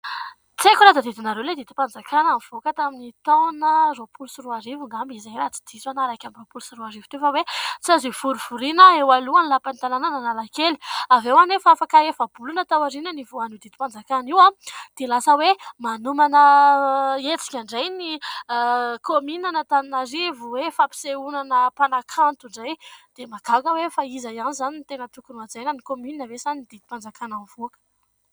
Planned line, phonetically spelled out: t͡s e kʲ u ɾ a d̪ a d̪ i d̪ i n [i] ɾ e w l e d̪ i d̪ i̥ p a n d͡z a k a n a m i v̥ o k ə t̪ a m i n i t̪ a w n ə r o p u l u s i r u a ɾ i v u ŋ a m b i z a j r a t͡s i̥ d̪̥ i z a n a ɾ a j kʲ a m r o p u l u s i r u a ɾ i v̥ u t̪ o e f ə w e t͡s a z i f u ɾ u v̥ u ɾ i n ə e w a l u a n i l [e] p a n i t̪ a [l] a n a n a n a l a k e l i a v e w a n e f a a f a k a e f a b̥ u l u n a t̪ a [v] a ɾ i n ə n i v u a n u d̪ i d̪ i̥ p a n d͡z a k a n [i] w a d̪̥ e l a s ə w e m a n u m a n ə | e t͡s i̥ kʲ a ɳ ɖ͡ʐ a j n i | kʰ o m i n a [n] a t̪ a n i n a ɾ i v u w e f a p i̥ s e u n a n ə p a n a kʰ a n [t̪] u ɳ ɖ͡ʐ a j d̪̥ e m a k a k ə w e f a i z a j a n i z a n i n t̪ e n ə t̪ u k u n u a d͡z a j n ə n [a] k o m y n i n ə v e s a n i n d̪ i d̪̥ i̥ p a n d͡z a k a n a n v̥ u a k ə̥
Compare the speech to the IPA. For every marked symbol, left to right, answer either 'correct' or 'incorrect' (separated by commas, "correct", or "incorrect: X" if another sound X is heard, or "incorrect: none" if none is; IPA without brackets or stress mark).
incorrect: a, incorrect: a, correct, incorrect: w, correct, correct, correct, incorrect: i